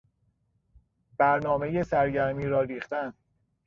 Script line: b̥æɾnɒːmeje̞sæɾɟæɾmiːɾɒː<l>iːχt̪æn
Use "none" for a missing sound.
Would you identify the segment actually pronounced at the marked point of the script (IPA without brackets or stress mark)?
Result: ɾ